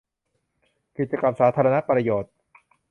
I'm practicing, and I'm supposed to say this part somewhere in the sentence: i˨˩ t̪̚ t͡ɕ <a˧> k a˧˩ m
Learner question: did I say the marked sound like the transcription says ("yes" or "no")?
yes